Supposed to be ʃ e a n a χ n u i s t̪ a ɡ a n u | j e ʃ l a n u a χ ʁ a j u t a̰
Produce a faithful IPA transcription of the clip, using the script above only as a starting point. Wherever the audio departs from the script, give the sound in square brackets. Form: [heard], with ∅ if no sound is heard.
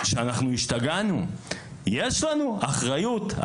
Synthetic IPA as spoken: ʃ e a n a χ n u i [ʃ] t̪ a ɡ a n u | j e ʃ l a n u a χ ʁ a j u t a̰